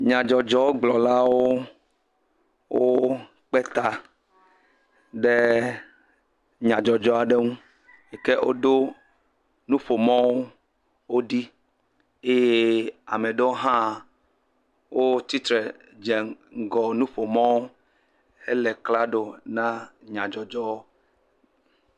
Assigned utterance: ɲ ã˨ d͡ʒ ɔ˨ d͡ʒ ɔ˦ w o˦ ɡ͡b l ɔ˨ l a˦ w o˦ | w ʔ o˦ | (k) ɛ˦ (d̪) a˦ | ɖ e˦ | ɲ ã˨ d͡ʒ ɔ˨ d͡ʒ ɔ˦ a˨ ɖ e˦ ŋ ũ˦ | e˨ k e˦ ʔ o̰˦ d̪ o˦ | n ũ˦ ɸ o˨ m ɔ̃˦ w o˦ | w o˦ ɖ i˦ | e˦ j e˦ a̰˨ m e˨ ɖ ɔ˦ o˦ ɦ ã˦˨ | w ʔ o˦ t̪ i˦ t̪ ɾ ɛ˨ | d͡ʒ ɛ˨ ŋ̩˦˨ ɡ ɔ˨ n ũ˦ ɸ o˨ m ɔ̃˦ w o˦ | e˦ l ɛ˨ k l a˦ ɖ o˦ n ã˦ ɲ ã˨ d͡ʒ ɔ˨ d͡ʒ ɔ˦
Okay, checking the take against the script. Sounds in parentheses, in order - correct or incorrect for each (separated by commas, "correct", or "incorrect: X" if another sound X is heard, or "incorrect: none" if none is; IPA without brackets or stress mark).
incorrect: k͡p, incorrect: t̪